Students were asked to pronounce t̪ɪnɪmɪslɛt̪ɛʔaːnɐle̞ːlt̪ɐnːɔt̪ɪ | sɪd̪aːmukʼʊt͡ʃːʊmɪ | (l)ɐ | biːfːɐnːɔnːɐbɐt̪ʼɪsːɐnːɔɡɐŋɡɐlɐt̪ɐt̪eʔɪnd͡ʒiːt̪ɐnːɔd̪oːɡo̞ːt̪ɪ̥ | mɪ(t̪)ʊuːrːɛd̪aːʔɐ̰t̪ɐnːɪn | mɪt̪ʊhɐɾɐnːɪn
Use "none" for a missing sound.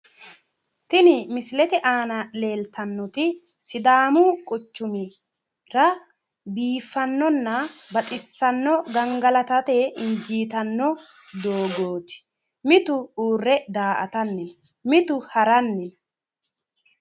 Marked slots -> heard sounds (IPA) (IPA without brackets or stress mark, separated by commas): ɾ, t̪